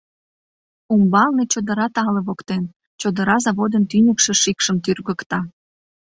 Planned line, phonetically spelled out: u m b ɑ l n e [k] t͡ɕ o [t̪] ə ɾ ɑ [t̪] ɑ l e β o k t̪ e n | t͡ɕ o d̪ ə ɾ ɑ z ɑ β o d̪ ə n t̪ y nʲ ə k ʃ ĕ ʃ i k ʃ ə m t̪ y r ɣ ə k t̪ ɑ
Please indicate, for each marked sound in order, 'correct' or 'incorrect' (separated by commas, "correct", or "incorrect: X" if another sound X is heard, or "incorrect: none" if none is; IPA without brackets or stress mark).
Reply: incorrect: none, incorrect: d̪, correct